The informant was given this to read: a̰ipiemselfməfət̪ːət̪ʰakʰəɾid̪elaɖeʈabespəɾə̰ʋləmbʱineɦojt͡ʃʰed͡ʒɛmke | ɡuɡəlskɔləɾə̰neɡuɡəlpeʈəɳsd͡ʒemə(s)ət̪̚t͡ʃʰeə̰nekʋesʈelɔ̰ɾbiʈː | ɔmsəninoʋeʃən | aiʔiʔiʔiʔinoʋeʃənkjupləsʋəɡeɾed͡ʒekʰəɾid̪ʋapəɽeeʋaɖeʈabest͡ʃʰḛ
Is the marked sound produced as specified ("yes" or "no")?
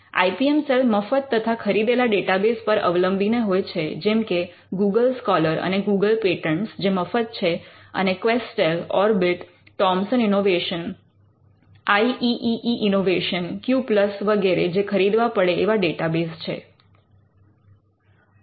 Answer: no